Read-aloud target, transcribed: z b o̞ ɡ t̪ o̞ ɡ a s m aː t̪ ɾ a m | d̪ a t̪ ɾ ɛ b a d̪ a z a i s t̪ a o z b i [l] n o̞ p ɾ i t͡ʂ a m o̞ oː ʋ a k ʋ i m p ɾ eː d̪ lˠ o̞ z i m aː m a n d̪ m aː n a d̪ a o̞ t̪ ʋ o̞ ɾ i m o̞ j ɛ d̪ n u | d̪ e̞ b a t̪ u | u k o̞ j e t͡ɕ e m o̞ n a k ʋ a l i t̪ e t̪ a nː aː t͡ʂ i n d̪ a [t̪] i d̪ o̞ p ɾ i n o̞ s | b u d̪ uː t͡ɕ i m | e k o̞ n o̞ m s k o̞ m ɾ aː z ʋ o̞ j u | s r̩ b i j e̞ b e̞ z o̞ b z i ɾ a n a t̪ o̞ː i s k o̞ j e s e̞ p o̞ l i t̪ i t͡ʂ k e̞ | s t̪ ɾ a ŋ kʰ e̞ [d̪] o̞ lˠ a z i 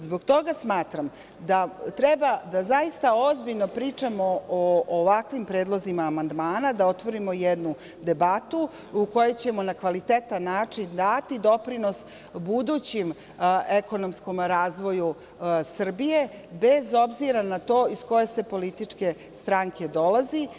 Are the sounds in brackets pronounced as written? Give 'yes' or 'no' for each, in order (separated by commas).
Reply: no, yes, yes